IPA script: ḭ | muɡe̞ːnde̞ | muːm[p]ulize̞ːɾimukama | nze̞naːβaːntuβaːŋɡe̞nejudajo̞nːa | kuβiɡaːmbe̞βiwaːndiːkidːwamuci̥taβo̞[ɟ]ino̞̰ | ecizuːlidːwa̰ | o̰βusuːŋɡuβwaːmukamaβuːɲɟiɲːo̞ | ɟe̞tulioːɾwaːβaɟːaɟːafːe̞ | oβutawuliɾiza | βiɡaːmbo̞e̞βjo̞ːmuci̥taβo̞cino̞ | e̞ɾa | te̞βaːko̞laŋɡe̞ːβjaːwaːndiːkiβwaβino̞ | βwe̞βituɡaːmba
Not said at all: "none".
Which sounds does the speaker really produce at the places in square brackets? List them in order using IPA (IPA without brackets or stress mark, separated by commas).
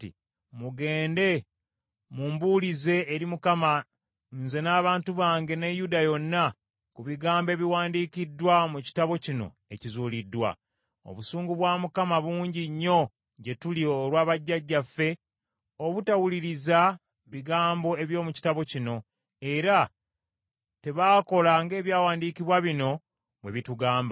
b, c